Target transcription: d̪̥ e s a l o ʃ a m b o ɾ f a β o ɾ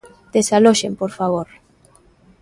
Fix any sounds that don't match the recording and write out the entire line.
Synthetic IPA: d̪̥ e s a l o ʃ e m p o ɾ f a β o ɾ